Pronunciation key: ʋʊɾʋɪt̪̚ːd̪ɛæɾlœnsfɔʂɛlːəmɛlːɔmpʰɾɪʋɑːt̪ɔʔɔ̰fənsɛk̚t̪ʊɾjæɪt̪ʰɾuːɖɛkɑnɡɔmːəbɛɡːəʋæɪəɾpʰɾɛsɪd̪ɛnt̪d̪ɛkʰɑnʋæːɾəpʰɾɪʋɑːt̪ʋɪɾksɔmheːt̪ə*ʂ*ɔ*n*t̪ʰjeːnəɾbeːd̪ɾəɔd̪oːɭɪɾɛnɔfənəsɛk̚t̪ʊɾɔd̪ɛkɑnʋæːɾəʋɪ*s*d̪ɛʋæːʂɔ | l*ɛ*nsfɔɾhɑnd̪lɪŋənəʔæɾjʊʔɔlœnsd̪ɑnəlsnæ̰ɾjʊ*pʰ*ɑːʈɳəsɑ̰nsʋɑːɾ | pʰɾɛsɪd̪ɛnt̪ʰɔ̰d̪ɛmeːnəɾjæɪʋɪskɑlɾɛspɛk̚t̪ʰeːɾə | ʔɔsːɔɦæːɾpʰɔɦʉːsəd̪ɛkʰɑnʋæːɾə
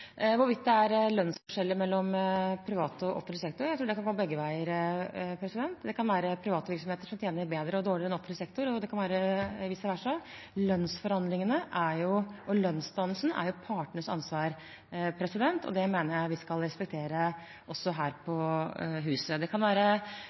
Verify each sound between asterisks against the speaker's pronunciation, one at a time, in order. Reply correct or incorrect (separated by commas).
correct, incorrect, correct, incorrect, correct